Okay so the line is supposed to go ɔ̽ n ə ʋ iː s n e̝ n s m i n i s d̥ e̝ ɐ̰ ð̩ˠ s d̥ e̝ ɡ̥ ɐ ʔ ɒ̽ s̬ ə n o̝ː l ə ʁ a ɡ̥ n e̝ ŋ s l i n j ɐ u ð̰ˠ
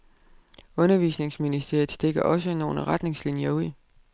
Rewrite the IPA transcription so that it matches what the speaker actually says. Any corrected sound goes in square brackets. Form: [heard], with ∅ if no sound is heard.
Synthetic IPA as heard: ɔ̽ n [ɐ] ʋ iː s n e̝ [ŋ] s m i n i s d̥ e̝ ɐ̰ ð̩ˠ s d̥ e̝ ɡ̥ ɐ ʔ ɒ̽ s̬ ə n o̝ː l ə ʁ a [d̥] n e̝ ŋ s l i n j ɐ u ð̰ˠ